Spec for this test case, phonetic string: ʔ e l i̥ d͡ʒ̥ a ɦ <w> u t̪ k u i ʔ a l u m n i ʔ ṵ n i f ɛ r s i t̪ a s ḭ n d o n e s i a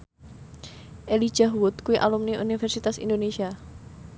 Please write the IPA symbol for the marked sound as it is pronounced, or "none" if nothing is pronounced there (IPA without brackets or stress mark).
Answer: w